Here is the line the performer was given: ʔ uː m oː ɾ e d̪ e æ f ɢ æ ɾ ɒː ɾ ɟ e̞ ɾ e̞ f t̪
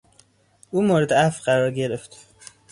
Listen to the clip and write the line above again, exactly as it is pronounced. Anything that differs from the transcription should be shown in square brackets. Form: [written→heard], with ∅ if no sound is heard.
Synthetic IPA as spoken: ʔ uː m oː ɾ e d̪ e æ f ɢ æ ɾ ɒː ɾ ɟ e̞ ɾ e̞ f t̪